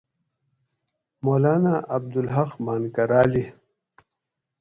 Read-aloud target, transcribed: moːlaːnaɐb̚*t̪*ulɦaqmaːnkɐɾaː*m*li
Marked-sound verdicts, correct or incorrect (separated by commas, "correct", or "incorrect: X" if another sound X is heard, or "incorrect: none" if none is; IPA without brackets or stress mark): incorrect: d̪, incorrect: none